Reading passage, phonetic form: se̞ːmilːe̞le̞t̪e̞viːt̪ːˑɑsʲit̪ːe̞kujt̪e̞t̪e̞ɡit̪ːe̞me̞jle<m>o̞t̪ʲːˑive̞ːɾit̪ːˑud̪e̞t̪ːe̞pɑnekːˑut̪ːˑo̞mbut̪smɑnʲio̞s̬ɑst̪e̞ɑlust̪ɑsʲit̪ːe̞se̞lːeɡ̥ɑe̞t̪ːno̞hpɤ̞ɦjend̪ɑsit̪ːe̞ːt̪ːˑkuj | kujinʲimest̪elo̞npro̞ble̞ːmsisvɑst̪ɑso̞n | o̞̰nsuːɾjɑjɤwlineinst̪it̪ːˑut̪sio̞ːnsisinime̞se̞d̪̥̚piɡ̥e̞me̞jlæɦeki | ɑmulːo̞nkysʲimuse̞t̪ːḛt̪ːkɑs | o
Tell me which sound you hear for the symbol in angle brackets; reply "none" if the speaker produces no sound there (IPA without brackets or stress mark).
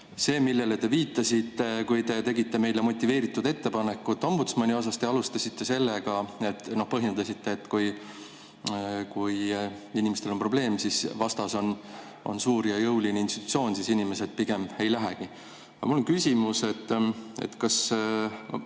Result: m